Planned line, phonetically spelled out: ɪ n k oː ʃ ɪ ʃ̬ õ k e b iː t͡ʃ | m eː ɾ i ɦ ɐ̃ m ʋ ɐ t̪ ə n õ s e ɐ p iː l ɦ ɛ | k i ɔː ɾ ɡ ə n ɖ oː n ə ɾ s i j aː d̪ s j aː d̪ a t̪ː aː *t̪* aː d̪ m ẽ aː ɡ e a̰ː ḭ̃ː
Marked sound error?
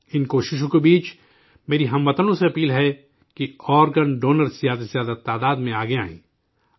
yes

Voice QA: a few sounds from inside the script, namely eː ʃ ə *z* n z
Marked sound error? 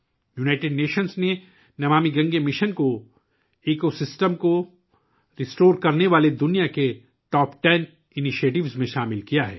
yes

